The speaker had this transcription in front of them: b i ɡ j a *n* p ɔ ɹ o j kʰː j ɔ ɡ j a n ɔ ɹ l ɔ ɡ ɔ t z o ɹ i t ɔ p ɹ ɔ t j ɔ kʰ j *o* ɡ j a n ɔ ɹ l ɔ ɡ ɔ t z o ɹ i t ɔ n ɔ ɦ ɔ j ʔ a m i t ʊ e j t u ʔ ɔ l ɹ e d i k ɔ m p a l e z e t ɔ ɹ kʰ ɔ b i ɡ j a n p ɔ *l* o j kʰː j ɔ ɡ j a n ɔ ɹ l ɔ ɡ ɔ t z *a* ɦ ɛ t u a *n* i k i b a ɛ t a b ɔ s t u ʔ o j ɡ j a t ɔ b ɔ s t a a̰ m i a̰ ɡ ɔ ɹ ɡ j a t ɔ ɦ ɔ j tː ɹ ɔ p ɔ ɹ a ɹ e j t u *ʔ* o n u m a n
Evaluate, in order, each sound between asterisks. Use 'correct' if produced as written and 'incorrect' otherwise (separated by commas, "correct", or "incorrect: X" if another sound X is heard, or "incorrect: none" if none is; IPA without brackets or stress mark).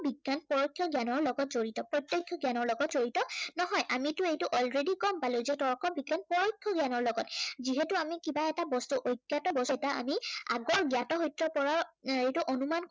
correct, incorrect: ɔ, incorrect: ɹ, incorrect: i, incorrect: m, correct